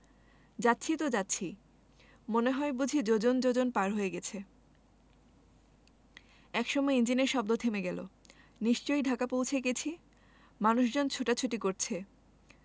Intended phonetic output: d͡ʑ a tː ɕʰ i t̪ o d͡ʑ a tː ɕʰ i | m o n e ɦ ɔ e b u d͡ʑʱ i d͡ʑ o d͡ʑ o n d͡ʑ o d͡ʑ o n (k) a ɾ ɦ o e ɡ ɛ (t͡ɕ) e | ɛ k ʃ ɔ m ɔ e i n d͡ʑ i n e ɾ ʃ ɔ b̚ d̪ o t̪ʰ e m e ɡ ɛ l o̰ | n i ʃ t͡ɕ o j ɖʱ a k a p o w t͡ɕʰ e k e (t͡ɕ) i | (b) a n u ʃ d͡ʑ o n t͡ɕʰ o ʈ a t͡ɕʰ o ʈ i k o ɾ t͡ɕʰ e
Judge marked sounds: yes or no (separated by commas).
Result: no, no, no, no